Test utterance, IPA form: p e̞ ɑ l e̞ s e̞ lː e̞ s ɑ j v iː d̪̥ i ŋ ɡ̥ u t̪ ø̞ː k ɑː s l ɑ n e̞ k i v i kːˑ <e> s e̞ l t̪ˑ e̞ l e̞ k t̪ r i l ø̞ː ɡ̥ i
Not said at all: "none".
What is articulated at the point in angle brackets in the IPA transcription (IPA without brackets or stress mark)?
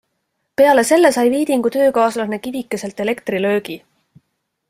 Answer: e